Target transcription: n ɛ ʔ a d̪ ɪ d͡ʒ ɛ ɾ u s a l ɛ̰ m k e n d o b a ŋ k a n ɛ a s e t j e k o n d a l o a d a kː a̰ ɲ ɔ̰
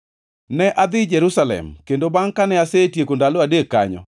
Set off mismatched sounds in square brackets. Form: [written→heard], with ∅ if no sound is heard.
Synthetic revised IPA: n ɛ ʔ a d̪ ɪ d͡ʒ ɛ ɾ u s a l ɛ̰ m k e n d o b a ŋ k a n ɛ a s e t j e k o n d a l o a d [a→e] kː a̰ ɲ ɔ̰